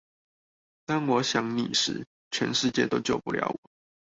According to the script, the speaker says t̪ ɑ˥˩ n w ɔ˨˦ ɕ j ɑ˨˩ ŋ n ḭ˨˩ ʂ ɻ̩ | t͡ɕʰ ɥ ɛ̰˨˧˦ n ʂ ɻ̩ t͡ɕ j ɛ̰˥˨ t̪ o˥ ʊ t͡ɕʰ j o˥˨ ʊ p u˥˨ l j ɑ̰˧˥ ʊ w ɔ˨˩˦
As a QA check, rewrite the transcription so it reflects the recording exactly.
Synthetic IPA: t̪ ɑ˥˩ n w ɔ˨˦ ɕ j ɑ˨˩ ŋ n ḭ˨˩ ʂ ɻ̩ | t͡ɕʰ ɥ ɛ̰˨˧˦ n ʂ ɻ̩ t͡ɕ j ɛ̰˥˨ t̪ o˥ ʊ t͡ɕ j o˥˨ ʊ p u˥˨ l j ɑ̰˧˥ ʊ w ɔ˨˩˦